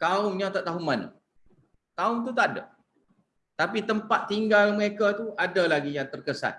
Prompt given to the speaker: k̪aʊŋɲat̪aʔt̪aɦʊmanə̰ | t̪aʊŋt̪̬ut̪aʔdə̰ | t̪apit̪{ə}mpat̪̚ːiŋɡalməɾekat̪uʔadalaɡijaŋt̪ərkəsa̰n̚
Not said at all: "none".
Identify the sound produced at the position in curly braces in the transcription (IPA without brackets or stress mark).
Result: ə